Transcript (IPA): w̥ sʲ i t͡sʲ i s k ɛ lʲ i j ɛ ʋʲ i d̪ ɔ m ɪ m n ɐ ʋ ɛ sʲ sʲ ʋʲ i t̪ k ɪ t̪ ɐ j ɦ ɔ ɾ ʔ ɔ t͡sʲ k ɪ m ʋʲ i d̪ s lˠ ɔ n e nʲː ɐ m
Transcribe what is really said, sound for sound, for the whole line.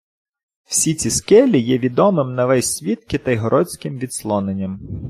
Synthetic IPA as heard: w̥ sʲ i t͡sʲ i s k ɛ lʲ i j ɛ ʋʲ i d̪ ɔ m ɪ m n ɐ ʋ ɛ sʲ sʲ ʋʲ i t̪ k ɪ t̪ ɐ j ɦ ɔ ɾ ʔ ɔ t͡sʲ k ɪ m ʋʲ i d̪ s lˠ ɔ n e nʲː ɐ m